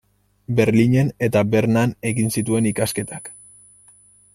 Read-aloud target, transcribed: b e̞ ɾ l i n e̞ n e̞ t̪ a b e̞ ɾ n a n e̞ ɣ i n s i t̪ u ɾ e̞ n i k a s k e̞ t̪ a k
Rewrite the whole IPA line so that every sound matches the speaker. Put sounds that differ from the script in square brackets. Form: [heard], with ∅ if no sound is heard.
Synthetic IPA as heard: b e̞ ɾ l i [ɲ] e̞ n e̞ t̪ a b e̞ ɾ n a n e̞ ɣ i n s i t̪ u [∅] e̞ n i k a s k e̞ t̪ a k